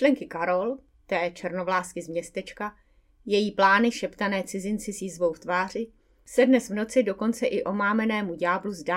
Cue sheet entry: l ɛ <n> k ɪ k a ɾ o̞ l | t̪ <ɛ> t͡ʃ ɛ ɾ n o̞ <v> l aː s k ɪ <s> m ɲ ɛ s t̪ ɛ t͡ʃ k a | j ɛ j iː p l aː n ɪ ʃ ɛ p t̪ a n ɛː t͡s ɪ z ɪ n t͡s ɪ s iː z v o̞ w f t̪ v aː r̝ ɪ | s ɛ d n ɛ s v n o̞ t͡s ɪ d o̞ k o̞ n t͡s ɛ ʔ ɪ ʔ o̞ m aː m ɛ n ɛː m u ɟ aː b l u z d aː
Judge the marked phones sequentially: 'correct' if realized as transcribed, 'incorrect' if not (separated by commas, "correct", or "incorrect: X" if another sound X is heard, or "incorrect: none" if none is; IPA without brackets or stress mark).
incorrect: ŋ, incorrect: ɛː, correct, incorrect: z